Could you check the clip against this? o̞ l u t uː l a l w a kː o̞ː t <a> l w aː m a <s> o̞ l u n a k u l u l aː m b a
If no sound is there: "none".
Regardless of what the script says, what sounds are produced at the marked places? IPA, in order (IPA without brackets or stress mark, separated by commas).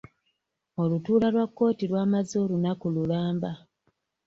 i, z